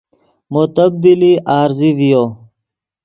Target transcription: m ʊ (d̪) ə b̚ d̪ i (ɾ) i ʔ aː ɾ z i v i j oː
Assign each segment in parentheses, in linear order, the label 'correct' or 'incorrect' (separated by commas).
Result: incorrect, incorrect